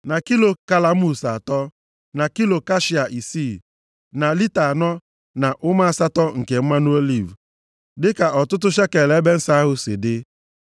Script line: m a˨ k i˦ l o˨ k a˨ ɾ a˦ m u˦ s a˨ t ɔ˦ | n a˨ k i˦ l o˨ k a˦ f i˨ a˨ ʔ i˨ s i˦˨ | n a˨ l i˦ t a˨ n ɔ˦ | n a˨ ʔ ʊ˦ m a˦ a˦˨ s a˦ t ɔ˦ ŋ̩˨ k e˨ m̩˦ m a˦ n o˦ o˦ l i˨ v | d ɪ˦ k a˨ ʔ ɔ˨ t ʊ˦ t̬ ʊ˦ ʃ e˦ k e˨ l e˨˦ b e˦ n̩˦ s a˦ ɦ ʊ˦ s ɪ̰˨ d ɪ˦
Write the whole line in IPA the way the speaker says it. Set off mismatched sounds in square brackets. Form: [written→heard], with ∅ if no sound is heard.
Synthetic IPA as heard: [m→n] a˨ k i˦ l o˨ k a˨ [ɾ→l] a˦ m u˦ s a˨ t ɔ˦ | n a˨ k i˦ l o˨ k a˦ [f→ʃ] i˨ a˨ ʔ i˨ s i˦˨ | n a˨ l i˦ t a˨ n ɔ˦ | n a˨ ʔ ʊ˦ m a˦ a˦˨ s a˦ t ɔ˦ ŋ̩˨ k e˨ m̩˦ m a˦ n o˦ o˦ l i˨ v | d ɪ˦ k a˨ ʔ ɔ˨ t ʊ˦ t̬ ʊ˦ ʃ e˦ k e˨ l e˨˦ b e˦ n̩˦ s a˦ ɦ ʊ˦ s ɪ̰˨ d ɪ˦